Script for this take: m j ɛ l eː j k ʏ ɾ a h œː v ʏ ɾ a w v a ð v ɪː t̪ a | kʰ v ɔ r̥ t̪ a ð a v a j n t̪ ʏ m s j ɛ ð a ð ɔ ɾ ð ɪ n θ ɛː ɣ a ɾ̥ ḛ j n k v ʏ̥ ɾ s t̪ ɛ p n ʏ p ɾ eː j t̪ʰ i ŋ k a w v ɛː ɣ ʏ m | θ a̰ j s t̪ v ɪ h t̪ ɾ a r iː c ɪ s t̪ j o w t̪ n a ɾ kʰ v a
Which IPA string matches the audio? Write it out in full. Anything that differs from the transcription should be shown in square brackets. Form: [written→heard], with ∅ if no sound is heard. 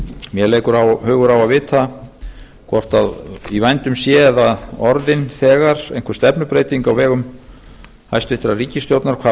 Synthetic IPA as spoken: m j ɛ l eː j k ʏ ɾ a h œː [v→ɣ] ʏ ɾ a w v a ð v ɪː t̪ a | kʰ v ɔ r̥ t̪ a ð [a→i] v a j n t̪ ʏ m s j ɛ ð a ð ɔ ɾ ð ɪ n θ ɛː ɣ a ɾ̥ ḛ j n k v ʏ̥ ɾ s t̪ ɛ p n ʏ p ɾ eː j [t̪ʰ→t̪] i ŋ k a w v ɛː ɣ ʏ m | [θ→h] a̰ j s t̪ v ɪ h t̪ ɾ a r iː c ɪ s t̪ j o w t̪ n a ɾ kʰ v a